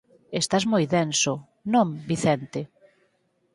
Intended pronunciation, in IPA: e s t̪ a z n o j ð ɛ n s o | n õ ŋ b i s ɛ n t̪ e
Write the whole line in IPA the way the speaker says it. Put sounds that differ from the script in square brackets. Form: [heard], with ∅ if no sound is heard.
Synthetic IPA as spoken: e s t̪ a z [m] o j ð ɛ n s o | n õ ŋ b i [θ] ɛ n t̪ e